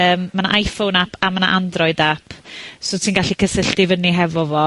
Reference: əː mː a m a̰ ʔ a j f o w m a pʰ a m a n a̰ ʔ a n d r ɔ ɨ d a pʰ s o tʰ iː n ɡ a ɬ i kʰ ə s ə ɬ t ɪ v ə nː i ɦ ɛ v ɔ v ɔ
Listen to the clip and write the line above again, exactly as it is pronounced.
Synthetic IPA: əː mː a n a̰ ʔ a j f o w n a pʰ a m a n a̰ ʔ a n d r ɔ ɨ d a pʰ s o tʰ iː n ɡ a ɬ i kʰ ə s ə ɬ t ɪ v ə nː i ɦ ɛ v ɔ v ɔ

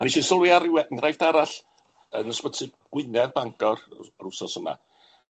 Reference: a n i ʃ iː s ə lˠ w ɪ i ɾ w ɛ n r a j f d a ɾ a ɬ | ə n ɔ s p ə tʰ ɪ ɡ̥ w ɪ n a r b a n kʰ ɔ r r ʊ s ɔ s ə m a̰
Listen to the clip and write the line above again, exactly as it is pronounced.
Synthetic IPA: a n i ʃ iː s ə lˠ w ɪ a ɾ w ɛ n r a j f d a ɾ a ɬ | ə n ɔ s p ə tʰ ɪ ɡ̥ w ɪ n ɛ r b a ŋ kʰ ɔ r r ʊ s ɔ s ə m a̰

